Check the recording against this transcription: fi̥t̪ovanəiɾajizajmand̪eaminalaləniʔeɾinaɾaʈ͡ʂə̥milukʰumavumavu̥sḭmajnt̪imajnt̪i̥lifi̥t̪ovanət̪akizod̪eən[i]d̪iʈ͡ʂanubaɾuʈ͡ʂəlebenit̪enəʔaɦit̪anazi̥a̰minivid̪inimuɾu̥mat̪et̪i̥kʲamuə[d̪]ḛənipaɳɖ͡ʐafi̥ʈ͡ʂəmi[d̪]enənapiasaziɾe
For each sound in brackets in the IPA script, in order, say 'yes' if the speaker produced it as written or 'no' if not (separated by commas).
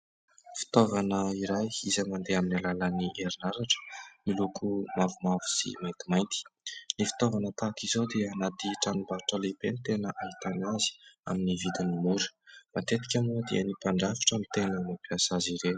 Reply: no, yes, no